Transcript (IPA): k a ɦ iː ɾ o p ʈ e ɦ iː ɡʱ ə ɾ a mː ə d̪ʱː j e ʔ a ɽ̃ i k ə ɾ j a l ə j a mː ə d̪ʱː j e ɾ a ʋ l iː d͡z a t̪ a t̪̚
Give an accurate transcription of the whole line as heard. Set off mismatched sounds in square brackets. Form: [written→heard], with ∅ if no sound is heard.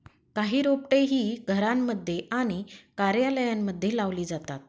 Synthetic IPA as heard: k a ɦ iː ɾ o p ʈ e ɦ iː ɡʱ ə ɾ a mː ə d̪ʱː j e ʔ a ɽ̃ i k [ə→a] ɾ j a l ə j a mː ə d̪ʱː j e [ɾ→l] a ʋ l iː d͡z a t̪ a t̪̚